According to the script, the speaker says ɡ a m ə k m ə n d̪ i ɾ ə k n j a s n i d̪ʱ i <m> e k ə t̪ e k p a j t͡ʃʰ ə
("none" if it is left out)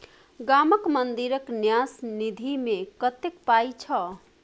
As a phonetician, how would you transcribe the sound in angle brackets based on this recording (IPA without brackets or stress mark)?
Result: m